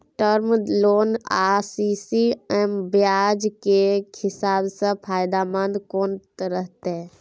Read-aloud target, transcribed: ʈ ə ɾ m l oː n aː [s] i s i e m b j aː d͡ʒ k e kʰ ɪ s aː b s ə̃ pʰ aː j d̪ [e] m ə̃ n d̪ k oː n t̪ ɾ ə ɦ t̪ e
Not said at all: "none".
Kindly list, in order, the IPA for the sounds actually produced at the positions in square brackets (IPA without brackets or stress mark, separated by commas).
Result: s, a